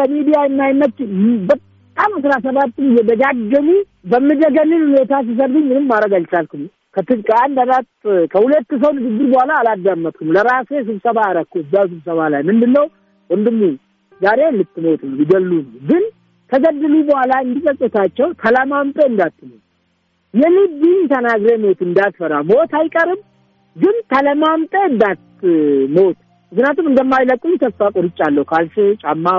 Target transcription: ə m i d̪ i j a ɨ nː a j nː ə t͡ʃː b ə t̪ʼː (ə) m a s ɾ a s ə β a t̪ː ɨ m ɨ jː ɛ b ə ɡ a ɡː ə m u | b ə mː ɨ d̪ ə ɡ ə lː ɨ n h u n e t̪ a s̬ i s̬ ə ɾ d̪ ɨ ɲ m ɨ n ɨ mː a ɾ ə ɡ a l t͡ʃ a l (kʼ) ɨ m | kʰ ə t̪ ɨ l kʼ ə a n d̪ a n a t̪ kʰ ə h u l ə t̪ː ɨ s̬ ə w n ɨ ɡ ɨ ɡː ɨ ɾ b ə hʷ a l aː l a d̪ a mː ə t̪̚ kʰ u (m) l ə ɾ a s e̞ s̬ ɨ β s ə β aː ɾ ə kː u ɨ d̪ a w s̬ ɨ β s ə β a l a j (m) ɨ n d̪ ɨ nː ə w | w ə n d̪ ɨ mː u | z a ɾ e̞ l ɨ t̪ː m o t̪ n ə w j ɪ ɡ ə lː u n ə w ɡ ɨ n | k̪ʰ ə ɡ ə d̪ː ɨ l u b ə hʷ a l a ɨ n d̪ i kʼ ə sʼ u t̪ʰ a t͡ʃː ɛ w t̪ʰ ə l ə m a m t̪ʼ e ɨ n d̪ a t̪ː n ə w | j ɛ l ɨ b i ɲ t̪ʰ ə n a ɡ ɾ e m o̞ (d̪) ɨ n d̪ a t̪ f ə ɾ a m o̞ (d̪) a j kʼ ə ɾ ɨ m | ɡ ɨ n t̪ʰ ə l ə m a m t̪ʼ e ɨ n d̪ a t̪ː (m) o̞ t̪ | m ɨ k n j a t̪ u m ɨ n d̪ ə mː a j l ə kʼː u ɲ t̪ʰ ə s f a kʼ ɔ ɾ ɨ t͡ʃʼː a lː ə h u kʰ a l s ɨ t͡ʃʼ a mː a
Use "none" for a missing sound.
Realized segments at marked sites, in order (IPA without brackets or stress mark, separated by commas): a, k, m, m, t̪, t̪, m